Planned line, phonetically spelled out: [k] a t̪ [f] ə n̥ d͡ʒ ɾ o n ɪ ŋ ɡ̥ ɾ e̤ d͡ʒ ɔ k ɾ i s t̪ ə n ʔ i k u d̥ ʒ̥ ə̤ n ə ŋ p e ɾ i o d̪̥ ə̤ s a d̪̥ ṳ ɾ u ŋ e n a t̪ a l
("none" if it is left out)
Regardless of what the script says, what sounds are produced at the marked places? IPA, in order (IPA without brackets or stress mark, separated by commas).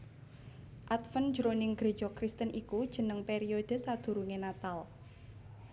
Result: ʔ, f